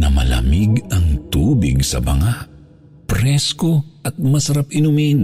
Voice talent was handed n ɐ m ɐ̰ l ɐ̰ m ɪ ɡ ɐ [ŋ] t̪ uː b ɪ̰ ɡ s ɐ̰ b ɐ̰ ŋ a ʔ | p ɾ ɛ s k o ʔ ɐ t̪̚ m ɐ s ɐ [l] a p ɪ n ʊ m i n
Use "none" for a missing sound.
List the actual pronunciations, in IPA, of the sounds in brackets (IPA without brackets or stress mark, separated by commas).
ŋ, ɾ